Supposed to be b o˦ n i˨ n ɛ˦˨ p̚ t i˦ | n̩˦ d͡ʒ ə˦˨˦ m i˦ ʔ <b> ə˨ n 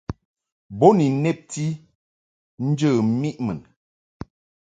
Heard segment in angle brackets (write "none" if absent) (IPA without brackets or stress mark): m